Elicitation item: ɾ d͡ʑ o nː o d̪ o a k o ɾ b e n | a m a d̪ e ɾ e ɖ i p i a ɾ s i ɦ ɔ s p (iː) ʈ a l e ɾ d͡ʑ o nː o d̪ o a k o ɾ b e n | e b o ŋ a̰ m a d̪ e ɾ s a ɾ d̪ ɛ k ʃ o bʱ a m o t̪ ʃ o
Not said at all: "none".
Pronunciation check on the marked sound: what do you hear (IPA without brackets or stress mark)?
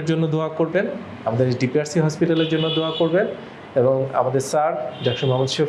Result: i